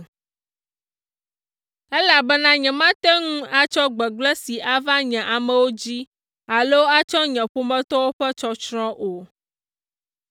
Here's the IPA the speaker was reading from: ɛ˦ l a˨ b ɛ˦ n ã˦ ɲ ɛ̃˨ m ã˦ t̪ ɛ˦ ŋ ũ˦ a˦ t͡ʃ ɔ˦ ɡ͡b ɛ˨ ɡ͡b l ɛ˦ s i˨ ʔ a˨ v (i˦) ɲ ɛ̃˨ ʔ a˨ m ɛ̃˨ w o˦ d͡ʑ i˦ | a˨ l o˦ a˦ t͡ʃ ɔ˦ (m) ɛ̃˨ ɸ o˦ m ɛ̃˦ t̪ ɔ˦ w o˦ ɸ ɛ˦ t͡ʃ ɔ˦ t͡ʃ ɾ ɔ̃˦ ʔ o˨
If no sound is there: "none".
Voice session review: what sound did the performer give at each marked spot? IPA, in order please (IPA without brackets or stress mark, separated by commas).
a˦, ɲ